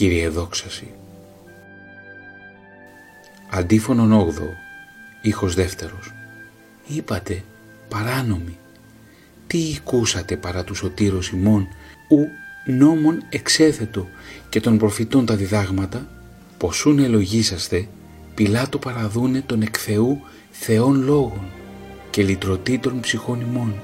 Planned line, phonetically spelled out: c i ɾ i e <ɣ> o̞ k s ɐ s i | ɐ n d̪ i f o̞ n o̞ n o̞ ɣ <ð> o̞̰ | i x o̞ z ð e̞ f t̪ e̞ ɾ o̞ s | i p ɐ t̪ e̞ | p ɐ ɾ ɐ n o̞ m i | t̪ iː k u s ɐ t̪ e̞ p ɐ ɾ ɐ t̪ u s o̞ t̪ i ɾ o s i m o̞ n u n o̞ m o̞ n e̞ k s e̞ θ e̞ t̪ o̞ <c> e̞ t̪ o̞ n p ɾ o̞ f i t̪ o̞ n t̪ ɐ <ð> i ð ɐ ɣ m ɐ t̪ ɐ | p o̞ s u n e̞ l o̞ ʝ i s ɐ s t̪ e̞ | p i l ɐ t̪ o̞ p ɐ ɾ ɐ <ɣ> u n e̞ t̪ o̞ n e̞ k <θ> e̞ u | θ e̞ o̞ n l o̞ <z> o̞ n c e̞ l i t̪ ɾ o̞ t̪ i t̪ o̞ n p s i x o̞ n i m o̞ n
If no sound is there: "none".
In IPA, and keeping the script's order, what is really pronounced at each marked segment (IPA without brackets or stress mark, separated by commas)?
ð, ð, c, ð, ð, θ, ɣ